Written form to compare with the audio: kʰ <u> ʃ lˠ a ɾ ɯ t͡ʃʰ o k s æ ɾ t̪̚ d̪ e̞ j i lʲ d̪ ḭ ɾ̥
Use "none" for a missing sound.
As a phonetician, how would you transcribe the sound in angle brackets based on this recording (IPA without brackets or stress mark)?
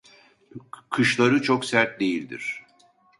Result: ɯ